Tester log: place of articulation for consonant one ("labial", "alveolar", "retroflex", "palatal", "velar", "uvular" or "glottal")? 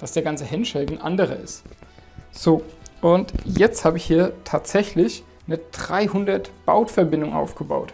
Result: alveolar